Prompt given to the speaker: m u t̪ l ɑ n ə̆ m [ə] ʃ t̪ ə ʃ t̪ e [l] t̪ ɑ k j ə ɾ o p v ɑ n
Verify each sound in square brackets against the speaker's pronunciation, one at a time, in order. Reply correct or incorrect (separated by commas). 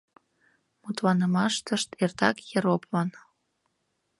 incorrect, incorrect